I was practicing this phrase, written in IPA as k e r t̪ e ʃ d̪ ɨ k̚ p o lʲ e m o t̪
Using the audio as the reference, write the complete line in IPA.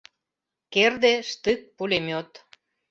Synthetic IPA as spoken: k e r d̪ e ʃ t̪ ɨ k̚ p u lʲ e m o t̪

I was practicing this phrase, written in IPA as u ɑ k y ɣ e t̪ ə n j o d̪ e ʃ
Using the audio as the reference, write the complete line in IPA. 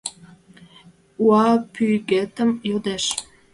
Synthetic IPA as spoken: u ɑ p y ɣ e t̪ ə m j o d̪ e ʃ

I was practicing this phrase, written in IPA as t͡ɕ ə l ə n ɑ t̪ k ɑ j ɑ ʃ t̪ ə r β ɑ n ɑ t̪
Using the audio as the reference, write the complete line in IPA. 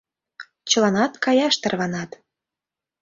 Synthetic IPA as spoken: t͡ɕ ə l ɑ n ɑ t̪ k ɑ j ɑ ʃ t̪ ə r β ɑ n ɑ t̪

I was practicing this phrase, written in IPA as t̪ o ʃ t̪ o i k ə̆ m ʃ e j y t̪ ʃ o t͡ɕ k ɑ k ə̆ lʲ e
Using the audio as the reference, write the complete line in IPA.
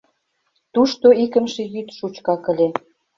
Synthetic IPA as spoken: t̪ u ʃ t̪ o i k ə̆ m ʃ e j y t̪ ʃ u t͡ɕ k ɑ k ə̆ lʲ e

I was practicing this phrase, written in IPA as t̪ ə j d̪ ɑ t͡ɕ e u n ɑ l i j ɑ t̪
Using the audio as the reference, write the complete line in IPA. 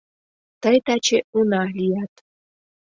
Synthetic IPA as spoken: t̪ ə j t̪ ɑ t͡ɕ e u n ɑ l i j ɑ t̪

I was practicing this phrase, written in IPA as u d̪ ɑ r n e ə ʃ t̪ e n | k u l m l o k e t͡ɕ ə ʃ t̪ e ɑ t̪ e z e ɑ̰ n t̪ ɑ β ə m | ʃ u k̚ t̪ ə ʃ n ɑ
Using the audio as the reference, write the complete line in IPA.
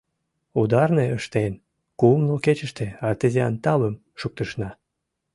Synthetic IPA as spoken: u d̪ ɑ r n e ə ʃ t̪ e n | k u m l o k e t͡ɕ ə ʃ t̪ e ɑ t̪ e z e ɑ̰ n t̪ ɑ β ə m | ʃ u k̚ t̪ ə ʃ n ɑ

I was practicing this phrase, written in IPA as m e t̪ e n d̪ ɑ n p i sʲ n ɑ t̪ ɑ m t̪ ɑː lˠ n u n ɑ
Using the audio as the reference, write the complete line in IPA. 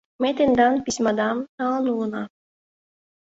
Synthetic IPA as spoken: m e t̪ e n d̪ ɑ n p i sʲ m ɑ d̪ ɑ m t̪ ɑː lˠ n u n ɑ

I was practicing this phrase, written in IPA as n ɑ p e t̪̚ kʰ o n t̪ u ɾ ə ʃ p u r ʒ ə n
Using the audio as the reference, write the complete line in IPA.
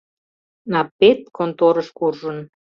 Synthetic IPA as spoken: n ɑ p e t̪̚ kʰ o n t̪ o ɾ ə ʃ k u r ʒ ə n

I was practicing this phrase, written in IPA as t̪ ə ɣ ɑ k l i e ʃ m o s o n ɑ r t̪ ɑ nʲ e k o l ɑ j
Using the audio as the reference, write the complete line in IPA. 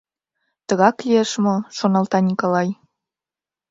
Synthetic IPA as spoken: t̪ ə ɣ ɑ k l i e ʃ m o ʃ o n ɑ l t̪ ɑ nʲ i k o l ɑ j

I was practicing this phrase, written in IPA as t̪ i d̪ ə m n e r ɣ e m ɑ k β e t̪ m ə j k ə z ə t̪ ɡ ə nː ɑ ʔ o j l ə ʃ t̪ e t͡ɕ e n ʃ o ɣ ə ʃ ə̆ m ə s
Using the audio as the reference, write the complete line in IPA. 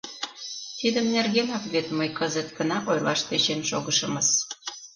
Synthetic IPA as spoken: t̪ i d̪ ə m n e r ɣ e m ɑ k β e t̪ m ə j k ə z ə t̪ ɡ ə n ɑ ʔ o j l ɑ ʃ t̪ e t͡ɕ e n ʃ o ɣ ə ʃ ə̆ m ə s

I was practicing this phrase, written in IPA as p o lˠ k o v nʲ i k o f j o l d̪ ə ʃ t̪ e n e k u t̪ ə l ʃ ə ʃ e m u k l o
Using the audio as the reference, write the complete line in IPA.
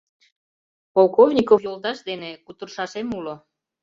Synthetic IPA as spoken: p o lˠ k o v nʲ i k o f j o l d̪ ɑ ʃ d̪ e n e k u t̪ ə r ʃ ɑ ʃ e m u l o

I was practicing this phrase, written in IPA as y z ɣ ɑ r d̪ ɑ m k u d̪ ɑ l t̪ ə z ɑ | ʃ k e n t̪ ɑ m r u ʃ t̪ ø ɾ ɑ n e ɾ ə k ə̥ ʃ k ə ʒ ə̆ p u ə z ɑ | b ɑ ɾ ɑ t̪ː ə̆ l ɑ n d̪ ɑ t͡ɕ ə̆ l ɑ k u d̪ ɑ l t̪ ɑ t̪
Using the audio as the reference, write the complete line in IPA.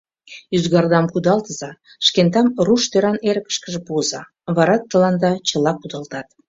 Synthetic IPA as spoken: y z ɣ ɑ r d̪ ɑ m k u d̪ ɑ l t̪ ə z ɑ | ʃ k e n t̪ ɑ m r u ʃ t̪ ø ɾ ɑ n e ɾ ə k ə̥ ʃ k ə ʒ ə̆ p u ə z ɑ | β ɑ ɾ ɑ t̪ː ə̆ l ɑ n d̪ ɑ t͡ɕ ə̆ l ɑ k u d̪ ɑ l t̪ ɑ t̪

